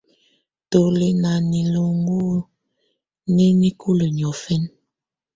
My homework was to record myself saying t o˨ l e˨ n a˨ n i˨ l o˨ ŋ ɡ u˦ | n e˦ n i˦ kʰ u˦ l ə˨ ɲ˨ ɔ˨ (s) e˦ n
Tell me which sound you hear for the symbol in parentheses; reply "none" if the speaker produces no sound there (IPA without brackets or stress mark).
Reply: f